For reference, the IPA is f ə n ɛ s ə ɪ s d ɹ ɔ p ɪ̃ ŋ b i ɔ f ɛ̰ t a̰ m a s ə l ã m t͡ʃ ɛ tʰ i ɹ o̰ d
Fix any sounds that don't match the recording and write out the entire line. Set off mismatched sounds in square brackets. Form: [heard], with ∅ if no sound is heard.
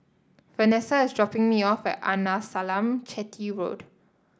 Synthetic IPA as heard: f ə n ɛ s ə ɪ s d ɹ ɔ p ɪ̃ ŋ [m] i ɔ f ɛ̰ t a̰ [n] a s [a] l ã m t͡ʃ ɛ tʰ i ɹ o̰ d